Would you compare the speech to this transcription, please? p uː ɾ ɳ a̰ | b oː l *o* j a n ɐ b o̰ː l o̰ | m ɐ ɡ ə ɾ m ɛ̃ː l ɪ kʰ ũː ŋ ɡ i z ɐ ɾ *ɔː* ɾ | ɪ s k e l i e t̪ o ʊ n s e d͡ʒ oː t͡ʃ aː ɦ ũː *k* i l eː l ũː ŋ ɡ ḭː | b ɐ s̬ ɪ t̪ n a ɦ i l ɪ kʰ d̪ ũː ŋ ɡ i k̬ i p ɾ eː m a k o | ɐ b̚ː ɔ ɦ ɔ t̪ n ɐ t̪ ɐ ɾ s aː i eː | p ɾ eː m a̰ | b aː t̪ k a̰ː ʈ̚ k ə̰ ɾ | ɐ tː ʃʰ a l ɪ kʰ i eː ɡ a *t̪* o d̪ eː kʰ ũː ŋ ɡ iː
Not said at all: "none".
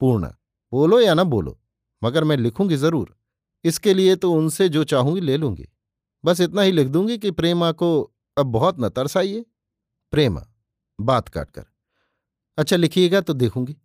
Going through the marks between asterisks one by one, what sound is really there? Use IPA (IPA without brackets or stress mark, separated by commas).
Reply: o, uː, ɡ, t̪